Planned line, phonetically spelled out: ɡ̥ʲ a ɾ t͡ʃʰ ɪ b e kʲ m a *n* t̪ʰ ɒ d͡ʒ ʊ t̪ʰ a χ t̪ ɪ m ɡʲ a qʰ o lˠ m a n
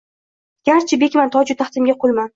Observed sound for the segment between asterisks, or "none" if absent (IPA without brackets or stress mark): n